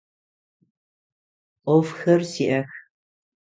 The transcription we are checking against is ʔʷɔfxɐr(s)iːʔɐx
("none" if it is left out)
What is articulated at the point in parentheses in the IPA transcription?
s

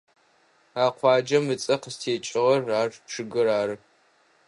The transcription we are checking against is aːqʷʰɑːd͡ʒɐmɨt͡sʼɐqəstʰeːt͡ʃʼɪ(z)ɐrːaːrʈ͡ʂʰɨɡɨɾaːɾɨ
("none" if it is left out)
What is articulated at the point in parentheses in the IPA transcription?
ʁ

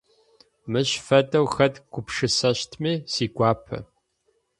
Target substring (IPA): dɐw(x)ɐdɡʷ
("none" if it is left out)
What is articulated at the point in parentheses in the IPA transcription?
x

